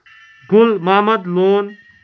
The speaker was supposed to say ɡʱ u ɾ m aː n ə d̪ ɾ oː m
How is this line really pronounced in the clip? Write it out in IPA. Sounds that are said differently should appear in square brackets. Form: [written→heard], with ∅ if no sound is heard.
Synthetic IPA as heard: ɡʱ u [ɾ→l] m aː [n→m] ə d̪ [ɾ→l] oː [m→n]